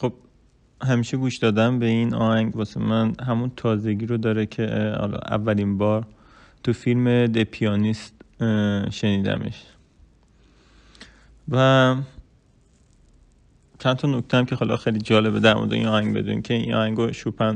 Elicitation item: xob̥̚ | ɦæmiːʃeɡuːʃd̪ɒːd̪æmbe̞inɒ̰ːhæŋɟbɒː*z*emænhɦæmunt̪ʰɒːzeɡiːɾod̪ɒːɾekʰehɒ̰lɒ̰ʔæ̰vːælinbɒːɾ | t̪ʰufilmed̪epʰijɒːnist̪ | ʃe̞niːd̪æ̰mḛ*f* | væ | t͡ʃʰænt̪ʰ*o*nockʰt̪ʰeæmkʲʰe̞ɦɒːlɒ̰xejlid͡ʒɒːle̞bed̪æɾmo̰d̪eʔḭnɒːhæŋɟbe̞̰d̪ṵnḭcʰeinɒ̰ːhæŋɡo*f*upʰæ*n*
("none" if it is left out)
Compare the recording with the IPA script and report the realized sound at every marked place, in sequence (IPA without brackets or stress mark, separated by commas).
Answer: s, ʃ, ɒ, ʃ, n